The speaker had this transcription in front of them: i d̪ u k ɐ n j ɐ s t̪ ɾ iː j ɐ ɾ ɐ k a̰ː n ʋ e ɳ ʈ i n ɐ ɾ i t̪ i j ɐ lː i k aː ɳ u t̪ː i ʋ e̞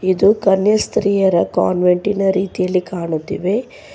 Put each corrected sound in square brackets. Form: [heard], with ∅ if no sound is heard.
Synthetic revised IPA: i d̪ u k ɐ n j ɐ s t̪ ɾ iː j ɐ ɾ ɐ k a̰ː n ʋ e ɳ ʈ i n ɐ ɾ [iː] t̪ i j ɐ lː i k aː ɳ u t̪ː i ʋ e̞